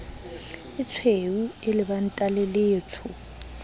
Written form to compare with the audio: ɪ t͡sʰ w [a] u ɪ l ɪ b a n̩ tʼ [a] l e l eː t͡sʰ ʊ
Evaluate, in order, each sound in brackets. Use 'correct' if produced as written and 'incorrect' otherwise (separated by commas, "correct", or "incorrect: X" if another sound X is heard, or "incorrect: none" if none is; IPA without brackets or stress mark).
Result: incorrect: e, correct